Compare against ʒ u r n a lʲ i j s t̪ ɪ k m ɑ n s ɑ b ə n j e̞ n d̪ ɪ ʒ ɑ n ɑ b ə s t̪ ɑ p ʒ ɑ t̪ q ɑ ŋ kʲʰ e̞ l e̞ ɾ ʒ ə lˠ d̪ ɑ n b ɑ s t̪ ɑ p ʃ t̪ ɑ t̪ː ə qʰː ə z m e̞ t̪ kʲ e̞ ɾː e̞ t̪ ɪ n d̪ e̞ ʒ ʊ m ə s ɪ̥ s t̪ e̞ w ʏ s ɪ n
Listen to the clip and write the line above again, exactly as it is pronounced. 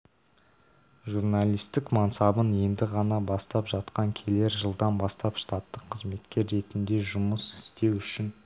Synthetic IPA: ʒ u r n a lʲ i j s t̪ ɪ k m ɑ n s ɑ b ə n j e̞ n d̪ ɪ ʁ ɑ n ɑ b ɑ s t̪ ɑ p ʒ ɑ t̪ q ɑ ŋ kʲʰ e̞ l e̞ ɾ ʒ ə lˠ d̪ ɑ n b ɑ s t̪ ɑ p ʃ t̪ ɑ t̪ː ə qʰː ə z m e̞ t̪ kʲ e̞ ɾː e̞ t̪ ɪ n d̪ e̞ ʒ ʊ m ə s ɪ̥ s t̪ e̞ w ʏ ʃ ɪ n